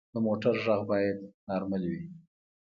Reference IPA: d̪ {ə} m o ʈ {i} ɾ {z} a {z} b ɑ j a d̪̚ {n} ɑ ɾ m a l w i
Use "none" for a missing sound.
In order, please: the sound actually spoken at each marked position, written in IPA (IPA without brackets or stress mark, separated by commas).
ə, a, ʒ, ɣ, n